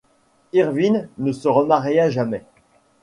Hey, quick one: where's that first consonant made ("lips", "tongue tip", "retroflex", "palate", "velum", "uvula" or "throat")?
uvula